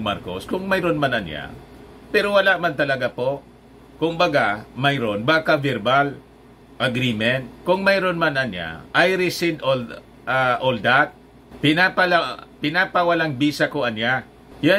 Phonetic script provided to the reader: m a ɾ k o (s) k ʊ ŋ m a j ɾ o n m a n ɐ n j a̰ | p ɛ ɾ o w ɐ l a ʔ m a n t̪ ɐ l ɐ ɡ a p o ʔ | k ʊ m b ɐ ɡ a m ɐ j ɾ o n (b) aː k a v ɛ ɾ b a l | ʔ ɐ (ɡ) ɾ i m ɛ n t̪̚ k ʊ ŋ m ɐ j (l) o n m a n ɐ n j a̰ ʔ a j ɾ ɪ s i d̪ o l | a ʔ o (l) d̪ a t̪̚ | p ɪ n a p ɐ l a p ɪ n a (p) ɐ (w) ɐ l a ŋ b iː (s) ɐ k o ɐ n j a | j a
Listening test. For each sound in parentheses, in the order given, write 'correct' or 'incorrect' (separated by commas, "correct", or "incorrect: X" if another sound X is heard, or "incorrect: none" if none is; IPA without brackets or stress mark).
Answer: correct, correct, correct, incorrect: ɾ, correct, correct, correct, correct